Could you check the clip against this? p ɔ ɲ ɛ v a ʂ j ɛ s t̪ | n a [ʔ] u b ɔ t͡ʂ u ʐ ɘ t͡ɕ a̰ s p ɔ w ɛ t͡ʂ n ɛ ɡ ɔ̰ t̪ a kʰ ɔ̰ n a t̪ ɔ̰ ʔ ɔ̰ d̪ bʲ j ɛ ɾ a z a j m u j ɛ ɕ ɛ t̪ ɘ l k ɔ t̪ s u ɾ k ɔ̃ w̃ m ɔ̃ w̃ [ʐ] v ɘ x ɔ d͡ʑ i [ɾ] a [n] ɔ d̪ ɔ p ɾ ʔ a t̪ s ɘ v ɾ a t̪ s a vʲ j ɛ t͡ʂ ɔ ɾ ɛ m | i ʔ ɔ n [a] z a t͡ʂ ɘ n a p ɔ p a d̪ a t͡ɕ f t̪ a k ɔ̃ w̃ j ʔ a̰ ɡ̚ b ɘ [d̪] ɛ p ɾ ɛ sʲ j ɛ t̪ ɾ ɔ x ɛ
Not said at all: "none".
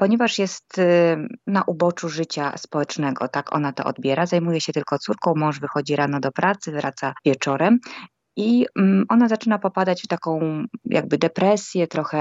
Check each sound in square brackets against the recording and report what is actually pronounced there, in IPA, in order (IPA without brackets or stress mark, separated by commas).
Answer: ʔ, ʐ, ɾ, n, a, d̪